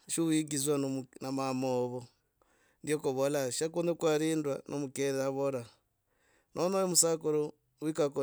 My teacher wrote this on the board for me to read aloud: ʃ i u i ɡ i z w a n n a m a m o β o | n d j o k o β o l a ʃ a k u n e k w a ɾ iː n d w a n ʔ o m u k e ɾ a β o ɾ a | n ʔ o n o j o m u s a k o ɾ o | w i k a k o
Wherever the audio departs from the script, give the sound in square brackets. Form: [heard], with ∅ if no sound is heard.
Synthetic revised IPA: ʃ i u i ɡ i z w a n n a m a m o β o | n d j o k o β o l a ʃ a k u n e k w a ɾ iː n d w a n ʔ o m u k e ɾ a β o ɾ a | n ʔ o n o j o m u s a k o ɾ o | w i k a k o